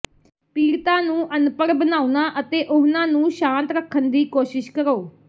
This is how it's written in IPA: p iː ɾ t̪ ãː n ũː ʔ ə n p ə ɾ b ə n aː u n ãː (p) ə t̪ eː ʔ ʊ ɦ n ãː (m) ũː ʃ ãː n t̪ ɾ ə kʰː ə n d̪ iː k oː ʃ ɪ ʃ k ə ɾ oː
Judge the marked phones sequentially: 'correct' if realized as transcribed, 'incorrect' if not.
incorrect: ʔ, incorrect: n

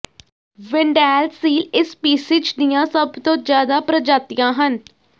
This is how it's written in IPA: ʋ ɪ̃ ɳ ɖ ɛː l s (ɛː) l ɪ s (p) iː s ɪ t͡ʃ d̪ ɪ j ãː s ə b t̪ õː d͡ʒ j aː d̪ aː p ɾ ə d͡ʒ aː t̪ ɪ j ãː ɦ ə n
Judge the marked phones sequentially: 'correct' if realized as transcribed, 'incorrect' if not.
incorrect: iː, correct

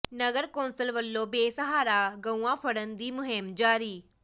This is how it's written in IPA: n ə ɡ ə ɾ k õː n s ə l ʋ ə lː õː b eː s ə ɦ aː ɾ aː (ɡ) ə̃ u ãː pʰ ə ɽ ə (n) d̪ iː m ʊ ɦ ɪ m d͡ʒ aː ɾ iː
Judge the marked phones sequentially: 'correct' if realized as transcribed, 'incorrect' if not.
correct, correct

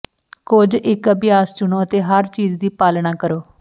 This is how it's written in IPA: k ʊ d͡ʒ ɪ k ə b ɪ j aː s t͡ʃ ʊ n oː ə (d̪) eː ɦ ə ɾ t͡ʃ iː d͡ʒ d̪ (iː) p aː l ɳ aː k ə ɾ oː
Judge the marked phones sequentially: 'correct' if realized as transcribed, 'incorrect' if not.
incorrect: t̪, correct

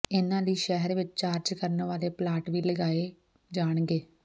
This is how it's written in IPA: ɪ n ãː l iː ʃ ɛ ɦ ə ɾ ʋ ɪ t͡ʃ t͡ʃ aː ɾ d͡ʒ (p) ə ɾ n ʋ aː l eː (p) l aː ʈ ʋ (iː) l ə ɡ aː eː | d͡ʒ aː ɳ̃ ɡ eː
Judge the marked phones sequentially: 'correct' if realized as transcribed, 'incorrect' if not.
incorrect: k, correct, correct

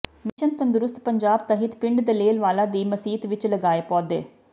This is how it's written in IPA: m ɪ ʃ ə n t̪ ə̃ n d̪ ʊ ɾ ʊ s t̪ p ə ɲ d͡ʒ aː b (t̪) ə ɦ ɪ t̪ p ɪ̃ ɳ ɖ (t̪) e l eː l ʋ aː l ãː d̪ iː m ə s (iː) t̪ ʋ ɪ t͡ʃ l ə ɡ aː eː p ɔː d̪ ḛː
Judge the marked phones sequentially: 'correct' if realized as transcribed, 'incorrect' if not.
correct, incorrect: d̪, correct

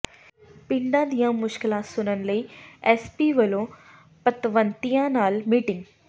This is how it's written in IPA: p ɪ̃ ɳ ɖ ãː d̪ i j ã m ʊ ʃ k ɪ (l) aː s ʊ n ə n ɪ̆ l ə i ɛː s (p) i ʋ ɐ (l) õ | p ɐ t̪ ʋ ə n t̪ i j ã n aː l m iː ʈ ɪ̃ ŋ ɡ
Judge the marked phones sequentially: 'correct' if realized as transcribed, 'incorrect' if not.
correct, correct, correct

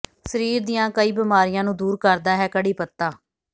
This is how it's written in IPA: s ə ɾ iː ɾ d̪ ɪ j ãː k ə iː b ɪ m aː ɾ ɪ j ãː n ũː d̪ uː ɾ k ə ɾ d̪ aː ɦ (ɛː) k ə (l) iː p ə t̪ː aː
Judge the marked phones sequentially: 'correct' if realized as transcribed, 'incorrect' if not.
correct, incorrect: ɽ

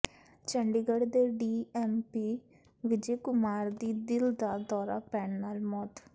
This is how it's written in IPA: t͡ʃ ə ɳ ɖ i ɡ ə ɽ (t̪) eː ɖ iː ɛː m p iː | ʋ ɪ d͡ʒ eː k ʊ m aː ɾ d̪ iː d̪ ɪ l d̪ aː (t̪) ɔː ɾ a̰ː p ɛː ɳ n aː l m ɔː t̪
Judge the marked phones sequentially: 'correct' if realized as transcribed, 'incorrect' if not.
incorrect: d̪, incorrect: d̪

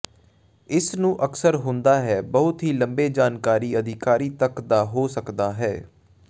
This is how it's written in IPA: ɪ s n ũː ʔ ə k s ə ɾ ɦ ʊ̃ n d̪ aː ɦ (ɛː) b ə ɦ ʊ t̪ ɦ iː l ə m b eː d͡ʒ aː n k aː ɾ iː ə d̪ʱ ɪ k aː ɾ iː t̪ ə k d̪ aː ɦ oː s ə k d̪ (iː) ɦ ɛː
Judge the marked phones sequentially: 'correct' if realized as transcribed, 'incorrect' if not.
correct, incorrect: aː

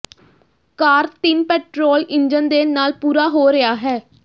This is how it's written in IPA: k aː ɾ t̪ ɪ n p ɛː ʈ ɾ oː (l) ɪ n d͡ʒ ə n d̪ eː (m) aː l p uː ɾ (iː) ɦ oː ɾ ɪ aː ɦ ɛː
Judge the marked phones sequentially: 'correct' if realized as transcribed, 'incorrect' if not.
correct, incorrect: n, incorrect: aː

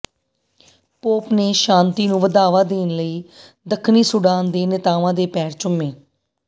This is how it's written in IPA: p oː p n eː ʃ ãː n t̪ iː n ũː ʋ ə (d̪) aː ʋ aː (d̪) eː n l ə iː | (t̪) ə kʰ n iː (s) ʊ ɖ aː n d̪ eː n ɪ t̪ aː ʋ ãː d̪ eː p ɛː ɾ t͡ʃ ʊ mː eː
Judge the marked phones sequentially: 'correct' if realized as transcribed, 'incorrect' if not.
correct, correct, incorrect: d̪, correct

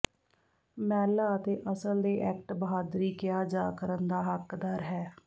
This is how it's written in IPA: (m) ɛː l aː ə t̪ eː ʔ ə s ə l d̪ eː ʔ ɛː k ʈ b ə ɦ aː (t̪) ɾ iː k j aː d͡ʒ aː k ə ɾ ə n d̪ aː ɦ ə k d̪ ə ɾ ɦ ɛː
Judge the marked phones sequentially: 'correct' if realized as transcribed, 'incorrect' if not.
correct, incorrect: d̪

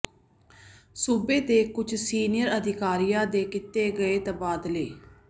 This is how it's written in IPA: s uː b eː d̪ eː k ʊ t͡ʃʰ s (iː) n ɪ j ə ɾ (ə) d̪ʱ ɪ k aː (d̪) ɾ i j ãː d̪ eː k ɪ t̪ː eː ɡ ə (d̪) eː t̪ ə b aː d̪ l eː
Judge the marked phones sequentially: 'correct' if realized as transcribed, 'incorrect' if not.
correct, correct, incorrect: none, incorrect: none

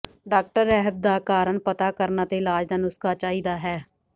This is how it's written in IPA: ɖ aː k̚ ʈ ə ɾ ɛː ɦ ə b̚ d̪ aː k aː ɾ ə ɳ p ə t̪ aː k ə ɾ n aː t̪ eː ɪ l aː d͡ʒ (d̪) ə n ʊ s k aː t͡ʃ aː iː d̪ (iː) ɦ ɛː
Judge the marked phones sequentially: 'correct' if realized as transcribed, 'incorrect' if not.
correct, incorrect: aː

